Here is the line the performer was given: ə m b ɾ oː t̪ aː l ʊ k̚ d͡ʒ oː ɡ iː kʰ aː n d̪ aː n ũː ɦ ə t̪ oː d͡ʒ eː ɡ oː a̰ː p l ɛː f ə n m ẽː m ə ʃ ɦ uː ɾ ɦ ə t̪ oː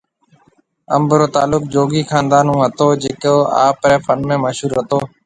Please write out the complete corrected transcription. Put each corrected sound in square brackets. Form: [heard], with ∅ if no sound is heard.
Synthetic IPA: ə m b ɾ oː t̪ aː l ʊ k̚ d͡ʒ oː ɡ iː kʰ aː n d̪ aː n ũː ɦ ə t̪ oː d͡ʒ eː [k] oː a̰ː p [ɾ] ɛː f ə n m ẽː m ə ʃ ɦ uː ɾ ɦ ə t̪ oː